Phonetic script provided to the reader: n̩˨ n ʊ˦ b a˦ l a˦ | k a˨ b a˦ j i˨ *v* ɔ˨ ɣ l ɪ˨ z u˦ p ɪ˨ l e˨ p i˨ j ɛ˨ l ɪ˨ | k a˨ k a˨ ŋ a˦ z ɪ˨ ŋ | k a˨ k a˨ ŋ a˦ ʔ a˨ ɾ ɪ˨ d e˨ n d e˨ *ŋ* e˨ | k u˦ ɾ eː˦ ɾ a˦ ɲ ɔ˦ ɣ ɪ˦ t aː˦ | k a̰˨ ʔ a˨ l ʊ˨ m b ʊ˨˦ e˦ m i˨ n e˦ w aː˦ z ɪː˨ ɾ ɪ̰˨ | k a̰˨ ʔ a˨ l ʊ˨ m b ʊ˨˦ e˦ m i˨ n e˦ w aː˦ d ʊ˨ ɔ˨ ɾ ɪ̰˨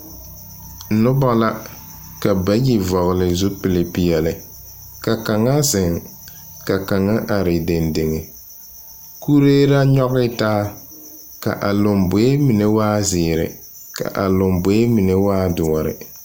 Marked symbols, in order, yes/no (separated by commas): yes, yes